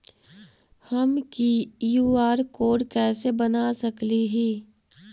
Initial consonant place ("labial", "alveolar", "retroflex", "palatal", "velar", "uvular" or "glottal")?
glottal